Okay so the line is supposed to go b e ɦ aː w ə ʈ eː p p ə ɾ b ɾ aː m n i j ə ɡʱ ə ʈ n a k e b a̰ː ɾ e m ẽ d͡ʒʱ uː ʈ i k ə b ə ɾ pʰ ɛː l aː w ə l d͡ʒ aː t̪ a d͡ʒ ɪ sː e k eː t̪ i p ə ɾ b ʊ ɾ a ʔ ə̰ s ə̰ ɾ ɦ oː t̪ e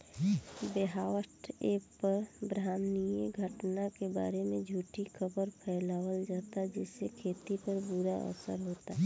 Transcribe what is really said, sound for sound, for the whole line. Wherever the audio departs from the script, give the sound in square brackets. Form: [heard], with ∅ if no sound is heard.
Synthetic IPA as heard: b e ɦ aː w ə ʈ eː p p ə ɾ b ɾ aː m n i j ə ɡʱ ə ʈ n a k e b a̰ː ɾ e m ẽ d͡ʒʱ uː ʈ i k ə b ə ɾ pʰ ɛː l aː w ə l d͡ʒ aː t̪ a d͡ʒ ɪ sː e [kʰ] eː t̪ i p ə ɾ b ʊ ɾ a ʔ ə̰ s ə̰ ɾ ɦ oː t̪ [a]